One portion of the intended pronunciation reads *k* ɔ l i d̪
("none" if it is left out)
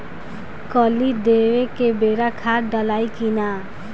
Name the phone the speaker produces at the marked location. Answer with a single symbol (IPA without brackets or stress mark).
k